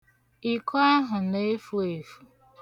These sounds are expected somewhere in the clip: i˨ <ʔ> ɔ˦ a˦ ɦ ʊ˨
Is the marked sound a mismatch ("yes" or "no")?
yes